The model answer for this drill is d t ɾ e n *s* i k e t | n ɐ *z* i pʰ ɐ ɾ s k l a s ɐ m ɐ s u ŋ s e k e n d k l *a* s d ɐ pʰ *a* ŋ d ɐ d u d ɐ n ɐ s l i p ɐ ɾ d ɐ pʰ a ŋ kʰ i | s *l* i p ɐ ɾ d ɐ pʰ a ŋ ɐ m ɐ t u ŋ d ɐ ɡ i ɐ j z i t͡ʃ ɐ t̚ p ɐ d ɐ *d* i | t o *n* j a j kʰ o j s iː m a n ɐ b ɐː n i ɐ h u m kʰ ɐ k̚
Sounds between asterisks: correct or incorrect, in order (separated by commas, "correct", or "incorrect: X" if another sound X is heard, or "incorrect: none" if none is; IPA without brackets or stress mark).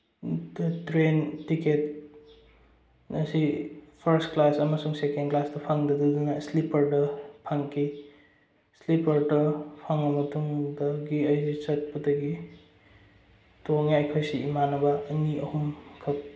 incorrect: t, incorrect: s, correct, correct, correct, incorrect: ɡ, incorrect: ŋ